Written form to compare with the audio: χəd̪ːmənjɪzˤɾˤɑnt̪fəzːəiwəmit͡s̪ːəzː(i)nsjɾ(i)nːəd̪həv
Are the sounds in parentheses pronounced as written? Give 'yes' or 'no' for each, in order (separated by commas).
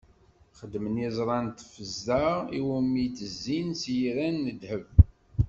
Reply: yes, no